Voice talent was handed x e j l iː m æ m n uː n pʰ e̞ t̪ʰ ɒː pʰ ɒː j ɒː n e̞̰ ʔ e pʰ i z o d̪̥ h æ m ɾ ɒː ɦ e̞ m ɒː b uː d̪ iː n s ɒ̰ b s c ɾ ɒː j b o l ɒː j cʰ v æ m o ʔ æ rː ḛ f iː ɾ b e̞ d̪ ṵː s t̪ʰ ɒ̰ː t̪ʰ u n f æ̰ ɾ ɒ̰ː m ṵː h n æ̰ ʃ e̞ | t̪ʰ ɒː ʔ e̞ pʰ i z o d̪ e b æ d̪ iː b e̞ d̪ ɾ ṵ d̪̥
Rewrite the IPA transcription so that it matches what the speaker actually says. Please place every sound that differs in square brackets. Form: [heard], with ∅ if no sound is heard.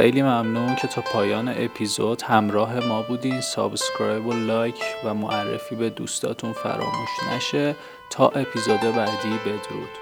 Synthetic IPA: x e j l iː m æ m n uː n [cʰ] e̞ t̪ʰ ɒː pʰ ɒː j ɒː n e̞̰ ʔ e pʰ i z o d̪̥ h æ m ɾ ɒː ɦ e̞ m ɒː b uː d̪ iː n s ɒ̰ b s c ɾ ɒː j b o l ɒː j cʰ v æ m o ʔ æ rː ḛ f iː [∅] b e̞ d̪ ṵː s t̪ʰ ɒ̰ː t̪ʰ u n f æ̰ ɾ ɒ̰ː m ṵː [ʃ] n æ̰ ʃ e̞ | t̪ʰ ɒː ʔ e̞ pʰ i z o d̪ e b æ d̪ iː b e̞ d̪ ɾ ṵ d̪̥